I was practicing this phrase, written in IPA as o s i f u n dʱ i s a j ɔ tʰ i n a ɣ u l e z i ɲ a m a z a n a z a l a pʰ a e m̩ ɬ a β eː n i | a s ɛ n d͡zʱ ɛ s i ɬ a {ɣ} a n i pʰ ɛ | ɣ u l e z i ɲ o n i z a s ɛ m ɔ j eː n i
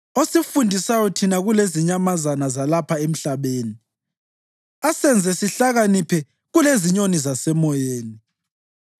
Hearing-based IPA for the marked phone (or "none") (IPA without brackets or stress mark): ɣ